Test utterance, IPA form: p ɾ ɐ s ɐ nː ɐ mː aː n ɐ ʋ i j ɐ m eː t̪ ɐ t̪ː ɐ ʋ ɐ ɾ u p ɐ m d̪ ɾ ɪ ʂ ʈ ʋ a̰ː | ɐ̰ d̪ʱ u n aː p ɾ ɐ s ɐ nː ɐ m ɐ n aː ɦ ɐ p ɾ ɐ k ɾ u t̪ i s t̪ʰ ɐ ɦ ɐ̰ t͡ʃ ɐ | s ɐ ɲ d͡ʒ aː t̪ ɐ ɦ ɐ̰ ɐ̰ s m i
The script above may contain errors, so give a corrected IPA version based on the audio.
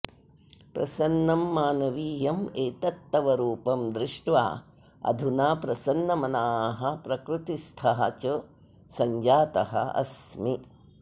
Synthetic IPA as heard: p ɾ ɐ s ɐ nː ɐ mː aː n ɐ ʋ iː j ɐ m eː t̪ ɐ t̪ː ɐ ʋ ɐ ɾ uː p ɐ m d̪ ɾ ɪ ʂ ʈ ʋ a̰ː | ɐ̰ d̪ʱ u n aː p ɾ ɐ s ɐ nː ɐ m ɐ n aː ɦ ɐ p ɾ ɐ k ɾ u t̪ i s t̪ʰ ɐ ɦ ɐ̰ t͡ʃ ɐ | s ɐ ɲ d͡ʒ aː t̪ ɐ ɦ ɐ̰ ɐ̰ s m i